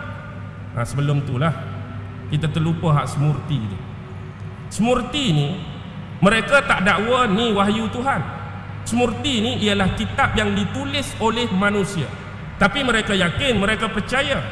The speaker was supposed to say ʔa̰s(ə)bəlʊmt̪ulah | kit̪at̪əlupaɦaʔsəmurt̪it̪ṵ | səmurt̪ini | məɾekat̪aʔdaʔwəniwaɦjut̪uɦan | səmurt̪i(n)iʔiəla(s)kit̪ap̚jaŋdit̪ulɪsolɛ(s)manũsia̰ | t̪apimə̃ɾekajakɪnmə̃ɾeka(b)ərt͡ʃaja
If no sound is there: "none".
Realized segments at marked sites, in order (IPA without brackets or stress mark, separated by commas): ə, n, h, h, p